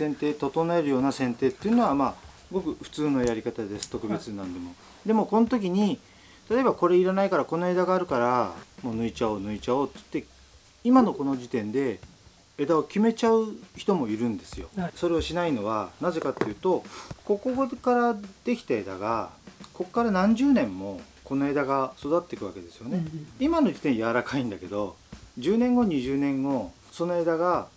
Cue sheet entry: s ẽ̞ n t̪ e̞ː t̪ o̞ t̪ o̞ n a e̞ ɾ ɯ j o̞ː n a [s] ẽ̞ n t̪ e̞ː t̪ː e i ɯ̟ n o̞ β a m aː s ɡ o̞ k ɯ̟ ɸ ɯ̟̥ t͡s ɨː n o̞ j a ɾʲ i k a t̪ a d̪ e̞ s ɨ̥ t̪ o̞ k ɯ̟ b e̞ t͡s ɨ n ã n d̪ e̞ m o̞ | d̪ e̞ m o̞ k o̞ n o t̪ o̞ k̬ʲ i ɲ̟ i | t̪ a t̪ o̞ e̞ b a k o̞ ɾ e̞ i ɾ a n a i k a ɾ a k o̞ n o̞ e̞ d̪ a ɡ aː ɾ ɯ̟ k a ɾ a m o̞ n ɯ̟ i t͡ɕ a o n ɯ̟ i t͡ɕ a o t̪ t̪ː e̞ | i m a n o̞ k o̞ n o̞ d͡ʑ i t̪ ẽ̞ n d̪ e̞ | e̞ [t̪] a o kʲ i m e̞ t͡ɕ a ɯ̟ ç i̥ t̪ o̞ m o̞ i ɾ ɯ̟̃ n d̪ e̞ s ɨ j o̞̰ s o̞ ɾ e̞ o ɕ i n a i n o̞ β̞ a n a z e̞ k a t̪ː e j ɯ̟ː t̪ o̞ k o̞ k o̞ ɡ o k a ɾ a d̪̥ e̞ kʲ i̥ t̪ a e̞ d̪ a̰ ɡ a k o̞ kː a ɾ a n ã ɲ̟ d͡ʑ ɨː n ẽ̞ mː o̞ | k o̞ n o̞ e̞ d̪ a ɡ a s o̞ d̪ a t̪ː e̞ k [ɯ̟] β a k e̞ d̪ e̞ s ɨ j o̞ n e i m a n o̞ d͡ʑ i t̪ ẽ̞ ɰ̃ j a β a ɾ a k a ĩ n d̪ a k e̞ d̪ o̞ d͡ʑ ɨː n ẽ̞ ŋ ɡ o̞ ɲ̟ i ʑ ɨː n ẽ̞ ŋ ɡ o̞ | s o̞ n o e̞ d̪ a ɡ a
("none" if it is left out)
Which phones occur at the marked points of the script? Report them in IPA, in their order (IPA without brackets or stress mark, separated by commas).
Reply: s, d̪, ɯ̟